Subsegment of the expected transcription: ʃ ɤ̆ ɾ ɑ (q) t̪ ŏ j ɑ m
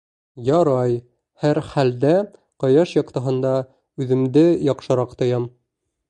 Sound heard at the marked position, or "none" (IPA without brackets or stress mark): q